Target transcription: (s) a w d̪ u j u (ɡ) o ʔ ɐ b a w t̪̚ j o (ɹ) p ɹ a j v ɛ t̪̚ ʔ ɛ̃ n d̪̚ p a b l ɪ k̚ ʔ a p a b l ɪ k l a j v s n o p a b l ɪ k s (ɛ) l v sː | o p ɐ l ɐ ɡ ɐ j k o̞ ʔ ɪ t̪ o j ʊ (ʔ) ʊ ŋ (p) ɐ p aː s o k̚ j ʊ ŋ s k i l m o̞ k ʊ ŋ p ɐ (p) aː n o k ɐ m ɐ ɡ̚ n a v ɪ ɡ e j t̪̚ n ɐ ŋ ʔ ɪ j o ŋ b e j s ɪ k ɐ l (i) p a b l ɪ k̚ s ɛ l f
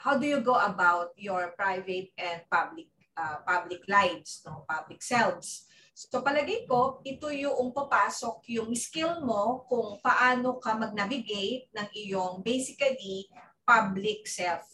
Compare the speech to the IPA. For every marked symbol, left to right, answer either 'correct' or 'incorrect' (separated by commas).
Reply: incorrect, correct, correct, correct, correct, correct, incorrect, correct